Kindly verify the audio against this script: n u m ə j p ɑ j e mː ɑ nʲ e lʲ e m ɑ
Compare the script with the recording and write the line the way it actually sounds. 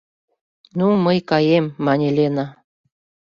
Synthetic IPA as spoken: n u m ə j k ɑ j e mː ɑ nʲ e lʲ e n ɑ

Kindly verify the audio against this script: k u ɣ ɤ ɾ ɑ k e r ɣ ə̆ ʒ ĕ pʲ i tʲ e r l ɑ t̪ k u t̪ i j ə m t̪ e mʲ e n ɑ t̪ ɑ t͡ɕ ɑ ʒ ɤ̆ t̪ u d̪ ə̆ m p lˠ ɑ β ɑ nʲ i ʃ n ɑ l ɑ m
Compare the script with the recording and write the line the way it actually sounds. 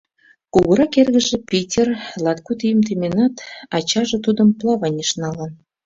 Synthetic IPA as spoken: k u ɣ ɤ ɾ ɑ k e r ɣ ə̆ ʒ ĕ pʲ i tʲ e r l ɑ t̪ k u t̪ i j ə m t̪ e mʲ e n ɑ t̪ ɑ t͡ɕ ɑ ʒ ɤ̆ t̪ u d̪ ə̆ m p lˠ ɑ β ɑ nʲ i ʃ n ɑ l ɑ n

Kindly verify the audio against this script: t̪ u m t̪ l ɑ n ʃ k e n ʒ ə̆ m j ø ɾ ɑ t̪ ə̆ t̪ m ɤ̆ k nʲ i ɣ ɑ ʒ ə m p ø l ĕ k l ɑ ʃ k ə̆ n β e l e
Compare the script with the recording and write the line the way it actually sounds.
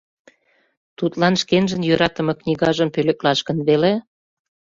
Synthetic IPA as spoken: t̪ u t̪ l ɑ n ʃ k e n ʒ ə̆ n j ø ɾ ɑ t̪ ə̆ m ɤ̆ k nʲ i ɣ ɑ ʒ ə m p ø l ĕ k l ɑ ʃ k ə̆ n β e l e

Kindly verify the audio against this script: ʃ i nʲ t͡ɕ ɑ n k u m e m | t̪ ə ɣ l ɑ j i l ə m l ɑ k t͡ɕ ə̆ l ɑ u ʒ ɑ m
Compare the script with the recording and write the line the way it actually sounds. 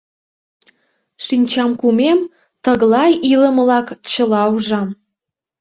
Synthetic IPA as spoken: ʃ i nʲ t͡ɕ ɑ m k u m e m | t̪ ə ɣ l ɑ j i l ə m l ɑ k t͡ɕ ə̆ l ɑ u ʒ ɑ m

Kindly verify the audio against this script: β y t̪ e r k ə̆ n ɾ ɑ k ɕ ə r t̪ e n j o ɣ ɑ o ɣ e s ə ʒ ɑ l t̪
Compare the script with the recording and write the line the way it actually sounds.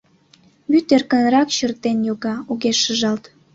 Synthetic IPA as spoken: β y t̪ e r k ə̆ n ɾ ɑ k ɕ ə r t̪ e n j o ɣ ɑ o ɣ e ʃ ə ʒ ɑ l t̪

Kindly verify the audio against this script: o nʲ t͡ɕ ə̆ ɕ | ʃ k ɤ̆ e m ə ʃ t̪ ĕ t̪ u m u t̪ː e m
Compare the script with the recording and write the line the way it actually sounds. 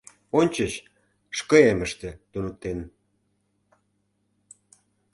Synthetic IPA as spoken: o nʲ t͡ɕ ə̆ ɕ | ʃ k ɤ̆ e m ə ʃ t̪ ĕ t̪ u n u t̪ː e n

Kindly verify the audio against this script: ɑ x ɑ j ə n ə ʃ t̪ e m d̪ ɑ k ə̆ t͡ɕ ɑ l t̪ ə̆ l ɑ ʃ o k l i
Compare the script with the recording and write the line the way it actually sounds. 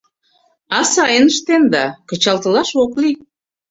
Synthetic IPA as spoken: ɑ s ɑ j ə n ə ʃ t̪ e n d̪ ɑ k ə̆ t͡ɕ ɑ l t̪ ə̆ l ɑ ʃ o k l i

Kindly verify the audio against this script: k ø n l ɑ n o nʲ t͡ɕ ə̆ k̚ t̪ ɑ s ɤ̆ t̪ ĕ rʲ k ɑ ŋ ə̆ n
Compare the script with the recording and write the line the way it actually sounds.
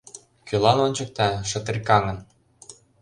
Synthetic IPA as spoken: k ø l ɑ n o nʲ t͡ɕ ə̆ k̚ t̪ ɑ ʃ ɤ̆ t̪ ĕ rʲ k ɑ ŋ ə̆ n

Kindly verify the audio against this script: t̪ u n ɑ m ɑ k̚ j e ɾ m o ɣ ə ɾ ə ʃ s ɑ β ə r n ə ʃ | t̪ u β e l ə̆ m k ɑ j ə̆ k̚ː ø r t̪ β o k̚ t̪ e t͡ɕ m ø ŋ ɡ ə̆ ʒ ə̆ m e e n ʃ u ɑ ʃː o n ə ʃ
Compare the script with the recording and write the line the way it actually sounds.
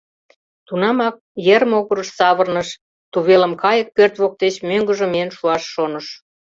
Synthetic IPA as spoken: t̪ u n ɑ m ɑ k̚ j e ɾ m o ɣ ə ɾ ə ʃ s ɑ β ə r n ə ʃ | t̪ u β e l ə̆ m k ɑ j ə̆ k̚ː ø r t̪ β o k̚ t̪ e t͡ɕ m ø ŋ ɡ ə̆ ʒ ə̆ m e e n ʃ u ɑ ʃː o n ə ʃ

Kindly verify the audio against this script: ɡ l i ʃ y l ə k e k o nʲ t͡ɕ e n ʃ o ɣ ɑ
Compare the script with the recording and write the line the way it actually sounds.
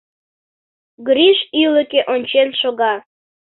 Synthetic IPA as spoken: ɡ ɾ i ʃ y l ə k e ʔ o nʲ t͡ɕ e n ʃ o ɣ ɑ

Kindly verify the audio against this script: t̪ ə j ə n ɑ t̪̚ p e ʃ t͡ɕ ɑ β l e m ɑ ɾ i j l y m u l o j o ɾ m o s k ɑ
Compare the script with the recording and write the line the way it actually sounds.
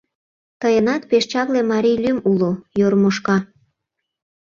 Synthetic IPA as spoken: t̪ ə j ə n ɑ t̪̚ p e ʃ t͡ɕ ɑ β l e m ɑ ɾ i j l y m u l o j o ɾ m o ʃ k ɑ

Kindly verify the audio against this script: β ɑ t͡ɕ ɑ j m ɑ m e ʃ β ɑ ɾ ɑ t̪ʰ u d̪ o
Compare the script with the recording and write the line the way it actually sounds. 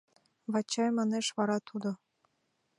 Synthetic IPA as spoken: β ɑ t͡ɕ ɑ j m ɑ n e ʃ β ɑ ɾ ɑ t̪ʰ u d̪ o

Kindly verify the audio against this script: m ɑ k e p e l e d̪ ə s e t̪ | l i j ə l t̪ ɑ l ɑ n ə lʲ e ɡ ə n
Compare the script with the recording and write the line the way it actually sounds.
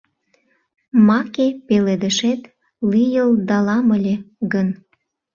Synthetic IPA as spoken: m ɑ k e p e l e d̪ ə ʃ e t̪ | l i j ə l d̪ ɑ l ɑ m ə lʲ e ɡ ə n

